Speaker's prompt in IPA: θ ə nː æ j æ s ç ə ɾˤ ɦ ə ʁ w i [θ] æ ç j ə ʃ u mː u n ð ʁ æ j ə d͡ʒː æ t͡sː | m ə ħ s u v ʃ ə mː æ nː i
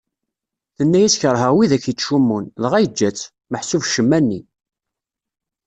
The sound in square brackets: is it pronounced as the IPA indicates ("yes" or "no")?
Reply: no